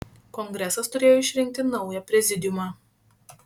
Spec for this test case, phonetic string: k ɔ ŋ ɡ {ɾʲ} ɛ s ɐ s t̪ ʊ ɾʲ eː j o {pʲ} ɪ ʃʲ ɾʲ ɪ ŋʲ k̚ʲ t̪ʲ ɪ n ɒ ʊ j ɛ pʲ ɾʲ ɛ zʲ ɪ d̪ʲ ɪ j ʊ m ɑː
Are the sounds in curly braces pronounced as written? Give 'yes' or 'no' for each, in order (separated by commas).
yes, no